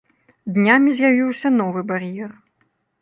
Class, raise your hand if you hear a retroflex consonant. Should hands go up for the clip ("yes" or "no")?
no